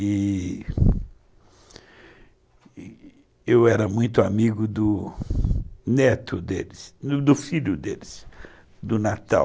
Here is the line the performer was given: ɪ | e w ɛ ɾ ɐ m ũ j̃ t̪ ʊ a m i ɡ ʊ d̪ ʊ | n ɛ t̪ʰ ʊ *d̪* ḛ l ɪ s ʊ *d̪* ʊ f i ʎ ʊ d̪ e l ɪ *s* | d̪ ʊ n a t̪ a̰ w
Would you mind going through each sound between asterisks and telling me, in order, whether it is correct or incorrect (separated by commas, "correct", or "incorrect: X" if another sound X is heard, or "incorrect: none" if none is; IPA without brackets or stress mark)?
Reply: correct, correct, correct